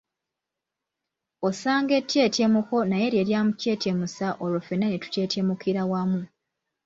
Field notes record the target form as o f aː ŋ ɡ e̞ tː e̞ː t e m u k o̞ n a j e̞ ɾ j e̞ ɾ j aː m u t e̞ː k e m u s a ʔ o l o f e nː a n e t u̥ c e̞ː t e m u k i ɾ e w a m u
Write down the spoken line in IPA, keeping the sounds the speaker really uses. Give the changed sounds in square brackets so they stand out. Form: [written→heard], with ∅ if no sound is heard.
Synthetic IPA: o [f→s] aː ŋ ɡ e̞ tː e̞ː t e m u k o̞ n a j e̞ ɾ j e̞ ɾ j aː m u [t→c] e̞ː [k→t] e m u s a ʔ o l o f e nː a n e t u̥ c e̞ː t e m u k i ɾ [e→a] w a m u